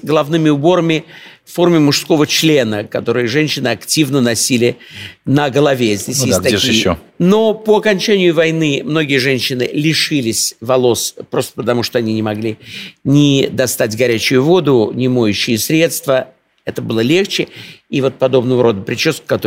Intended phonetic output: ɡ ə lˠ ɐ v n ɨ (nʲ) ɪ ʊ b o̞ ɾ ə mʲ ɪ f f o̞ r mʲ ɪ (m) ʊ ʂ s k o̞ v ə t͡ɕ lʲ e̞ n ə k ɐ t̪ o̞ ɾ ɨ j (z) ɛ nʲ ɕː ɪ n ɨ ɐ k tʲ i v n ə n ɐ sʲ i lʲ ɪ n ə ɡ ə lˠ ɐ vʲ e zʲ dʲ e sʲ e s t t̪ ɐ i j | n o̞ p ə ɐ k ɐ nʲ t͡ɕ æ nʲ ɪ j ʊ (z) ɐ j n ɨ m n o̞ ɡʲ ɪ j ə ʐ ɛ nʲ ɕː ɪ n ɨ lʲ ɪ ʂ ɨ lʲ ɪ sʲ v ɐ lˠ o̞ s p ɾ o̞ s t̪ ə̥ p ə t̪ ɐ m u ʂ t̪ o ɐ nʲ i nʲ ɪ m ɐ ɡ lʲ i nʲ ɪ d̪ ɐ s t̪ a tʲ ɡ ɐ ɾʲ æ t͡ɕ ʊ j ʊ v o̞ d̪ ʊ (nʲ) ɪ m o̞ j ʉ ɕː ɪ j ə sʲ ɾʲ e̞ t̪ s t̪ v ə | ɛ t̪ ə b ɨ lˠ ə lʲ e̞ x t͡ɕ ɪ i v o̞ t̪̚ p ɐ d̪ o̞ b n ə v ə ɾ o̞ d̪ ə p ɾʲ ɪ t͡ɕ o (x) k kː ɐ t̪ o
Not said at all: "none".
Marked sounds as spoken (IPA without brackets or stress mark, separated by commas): mʲ, m, ʐ, v, nʲ, s